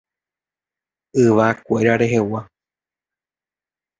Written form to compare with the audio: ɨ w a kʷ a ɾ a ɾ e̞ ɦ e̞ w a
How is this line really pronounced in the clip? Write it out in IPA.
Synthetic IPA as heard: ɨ ʋ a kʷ e ɾ a ɾ e̞ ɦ e̞ w a